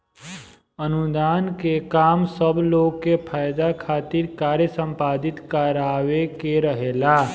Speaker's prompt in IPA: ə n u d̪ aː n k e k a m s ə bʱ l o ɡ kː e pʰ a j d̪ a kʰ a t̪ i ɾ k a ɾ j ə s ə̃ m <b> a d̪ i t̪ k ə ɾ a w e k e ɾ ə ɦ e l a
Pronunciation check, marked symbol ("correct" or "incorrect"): incorrect